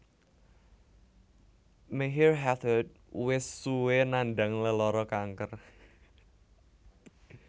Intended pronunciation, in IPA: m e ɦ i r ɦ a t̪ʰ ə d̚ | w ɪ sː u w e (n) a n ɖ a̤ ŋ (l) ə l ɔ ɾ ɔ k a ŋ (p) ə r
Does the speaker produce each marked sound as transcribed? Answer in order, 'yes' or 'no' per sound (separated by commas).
yes, yes, no